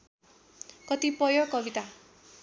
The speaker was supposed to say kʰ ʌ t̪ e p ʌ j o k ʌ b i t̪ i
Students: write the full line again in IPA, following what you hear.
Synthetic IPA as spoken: k ʌ t̪ i p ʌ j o k ʌ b i t̪ a